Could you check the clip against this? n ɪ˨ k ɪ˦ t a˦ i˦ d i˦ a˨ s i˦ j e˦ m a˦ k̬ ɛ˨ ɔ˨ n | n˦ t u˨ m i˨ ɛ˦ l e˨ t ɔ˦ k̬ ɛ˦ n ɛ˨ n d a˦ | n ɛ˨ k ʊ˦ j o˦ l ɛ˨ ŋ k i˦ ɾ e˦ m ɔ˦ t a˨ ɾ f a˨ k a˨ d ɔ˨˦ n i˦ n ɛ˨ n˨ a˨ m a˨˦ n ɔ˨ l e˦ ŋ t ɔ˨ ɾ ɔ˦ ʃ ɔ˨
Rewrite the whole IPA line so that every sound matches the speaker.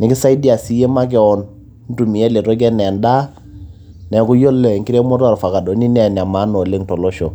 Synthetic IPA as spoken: n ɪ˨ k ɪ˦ s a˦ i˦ d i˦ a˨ s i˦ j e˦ m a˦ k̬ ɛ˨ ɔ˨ n | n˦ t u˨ m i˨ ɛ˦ l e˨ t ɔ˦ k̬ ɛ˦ n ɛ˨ n d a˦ | n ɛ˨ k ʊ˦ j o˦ l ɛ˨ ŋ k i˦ ɾ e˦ m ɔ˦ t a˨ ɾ f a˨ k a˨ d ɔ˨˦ n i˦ n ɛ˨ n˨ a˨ m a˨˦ n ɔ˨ l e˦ ŋ t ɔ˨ l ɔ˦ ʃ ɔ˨